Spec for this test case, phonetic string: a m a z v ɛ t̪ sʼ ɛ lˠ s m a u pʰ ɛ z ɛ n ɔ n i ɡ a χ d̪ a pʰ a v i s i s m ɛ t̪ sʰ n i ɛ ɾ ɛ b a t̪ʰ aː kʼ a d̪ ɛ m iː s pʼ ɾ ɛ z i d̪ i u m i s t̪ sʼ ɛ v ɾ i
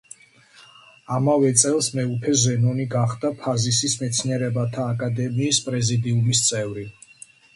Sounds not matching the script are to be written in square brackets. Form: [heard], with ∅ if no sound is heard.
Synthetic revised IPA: a m a [∅] v ɛ t̪ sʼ ɛ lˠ s m [ɛ] u pʰ ɛ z ɛ n ɔ n i ɡ a χ d̪ a pʰ a [z] i s i s m ɛ t̪ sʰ n i ɛ ɾ ɛ b a t̪ʰ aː kʼ a d̪ ɛ m iː s pʼ ɾ ɛ z i d̪ i u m i s t̪ sʼ ɛ v ɾ i